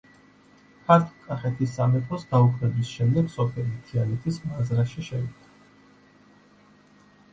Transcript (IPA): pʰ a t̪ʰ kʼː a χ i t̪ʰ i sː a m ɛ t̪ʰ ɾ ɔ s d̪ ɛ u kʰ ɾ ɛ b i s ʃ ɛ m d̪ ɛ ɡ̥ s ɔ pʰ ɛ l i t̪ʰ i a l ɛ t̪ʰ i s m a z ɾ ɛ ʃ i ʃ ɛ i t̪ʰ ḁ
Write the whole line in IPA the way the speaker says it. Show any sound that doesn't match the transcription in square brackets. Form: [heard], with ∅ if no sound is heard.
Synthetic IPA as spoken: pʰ a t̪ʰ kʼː a χ [ɛ] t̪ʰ i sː a m ɛ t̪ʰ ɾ ɔ s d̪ [a] u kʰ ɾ ɛ b i s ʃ ɛ m d̪ ɛ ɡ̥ s ɔ pʰ ɛ l i t̪ʰ i a l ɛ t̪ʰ i s m a z ɾ [a] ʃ i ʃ ɛ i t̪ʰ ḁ